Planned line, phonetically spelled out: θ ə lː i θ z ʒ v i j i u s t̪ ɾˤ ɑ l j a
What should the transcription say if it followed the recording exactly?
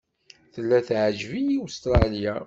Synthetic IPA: θ ə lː æ θ ʕ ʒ v i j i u s t̪ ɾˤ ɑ l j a